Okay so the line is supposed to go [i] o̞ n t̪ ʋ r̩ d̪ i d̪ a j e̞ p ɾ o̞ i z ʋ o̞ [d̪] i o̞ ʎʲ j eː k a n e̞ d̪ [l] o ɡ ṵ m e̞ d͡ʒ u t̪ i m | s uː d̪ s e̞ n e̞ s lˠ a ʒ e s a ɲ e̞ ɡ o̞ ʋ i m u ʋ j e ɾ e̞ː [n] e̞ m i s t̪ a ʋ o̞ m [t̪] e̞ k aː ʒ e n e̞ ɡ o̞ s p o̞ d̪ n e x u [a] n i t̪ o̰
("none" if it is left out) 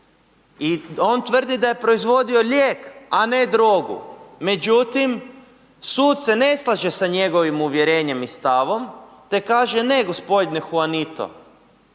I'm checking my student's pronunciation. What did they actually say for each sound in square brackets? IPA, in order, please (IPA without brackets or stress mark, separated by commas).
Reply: i, d̪, ɾ, ɲ, t̪, a